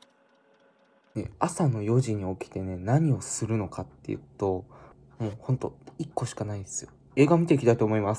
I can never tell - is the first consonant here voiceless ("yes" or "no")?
no